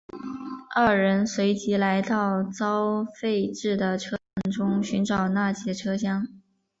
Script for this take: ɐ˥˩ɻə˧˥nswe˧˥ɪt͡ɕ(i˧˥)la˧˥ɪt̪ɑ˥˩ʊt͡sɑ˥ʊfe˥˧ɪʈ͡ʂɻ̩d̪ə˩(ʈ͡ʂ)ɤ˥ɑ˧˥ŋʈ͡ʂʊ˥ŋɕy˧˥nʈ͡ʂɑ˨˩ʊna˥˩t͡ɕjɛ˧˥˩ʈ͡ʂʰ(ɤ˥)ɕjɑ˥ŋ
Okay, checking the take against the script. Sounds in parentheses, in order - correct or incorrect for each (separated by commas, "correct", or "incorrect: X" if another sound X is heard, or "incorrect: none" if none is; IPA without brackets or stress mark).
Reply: correct, incorrect: ʈ͡ʂʰ, correct